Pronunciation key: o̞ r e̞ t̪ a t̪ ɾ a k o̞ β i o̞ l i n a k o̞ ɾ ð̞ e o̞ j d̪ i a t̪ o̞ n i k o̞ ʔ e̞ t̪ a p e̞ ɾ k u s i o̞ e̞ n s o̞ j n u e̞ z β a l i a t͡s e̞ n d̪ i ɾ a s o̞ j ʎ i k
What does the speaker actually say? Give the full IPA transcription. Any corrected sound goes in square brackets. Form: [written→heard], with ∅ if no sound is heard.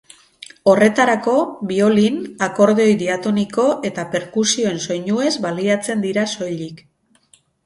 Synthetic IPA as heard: o̞ r e̞ t̪ a [t̪→∅] ɾ a k o̞ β i o̞ l i n a k o̞ ɾ ð̞ e o̞ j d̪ i a t̪ o̞ n i k o̞ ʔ e̞ t̪ a p e̞ ɾ k u s i o̞ e̞ n s o̞ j [n→ɲ] u e̞ z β a l i a t͡s e̞ n d̪ i ɾ a s o̞ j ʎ i k